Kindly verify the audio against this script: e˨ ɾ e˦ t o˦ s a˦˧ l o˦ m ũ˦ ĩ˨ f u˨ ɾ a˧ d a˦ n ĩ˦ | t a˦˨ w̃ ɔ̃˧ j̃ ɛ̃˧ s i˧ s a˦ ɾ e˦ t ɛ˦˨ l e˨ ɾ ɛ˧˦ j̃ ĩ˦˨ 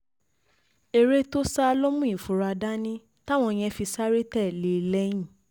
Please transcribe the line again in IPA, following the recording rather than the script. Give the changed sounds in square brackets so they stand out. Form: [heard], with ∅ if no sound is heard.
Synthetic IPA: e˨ ɾ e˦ t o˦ s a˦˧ l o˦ m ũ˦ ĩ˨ f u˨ ɾ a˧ d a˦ n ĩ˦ | t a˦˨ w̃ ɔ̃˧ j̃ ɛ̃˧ [f] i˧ s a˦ ɾ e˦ t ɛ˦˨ l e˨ [l] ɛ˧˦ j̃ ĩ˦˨